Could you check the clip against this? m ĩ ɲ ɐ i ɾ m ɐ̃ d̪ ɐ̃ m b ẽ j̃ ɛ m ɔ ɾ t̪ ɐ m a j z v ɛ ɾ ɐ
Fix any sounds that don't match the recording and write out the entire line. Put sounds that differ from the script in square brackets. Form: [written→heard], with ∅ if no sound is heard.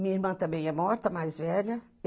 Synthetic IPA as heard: m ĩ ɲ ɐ i ɾ m ɐ̃ [d̪→t̪] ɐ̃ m b ẽ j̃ ɛ m ɔ ɾ t̪ ɐ m a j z v ɛ [ɾ→ʎ] ɐ